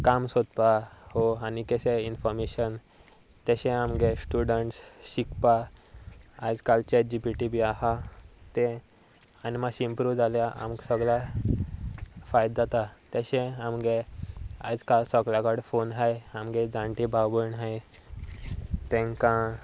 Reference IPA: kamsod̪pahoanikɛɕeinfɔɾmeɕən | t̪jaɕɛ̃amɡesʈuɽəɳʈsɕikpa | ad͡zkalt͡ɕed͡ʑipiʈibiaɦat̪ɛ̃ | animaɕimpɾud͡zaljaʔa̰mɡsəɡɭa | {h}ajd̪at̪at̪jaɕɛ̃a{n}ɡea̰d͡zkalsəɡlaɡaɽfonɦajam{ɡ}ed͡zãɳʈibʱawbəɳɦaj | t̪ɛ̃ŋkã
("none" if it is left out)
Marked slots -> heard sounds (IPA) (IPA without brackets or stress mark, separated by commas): f, m, ɡ